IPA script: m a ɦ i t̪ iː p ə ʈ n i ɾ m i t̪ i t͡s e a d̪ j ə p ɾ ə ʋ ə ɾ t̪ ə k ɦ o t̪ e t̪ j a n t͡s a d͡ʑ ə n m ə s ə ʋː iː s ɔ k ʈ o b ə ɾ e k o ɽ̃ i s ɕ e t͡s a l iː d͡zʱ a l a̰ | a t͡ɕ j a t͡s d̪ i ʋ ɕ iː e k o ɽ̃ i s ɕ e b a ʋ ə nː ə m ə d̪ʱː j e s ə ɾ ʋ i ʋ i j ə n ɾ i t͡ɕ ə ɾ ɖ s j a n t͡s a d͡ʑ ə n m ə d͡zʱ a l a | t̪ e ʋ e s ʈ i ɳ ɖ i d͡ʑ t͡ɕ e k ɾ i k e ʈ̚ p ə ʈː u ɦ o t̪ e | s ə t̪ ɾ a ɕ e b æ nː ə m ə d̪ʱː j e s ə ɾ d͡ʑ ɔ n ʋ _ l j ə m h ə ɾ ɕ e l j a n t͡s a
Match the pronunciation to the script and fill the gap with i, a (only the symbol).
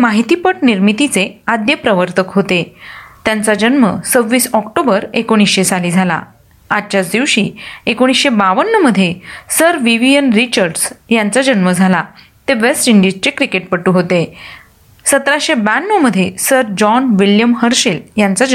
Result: i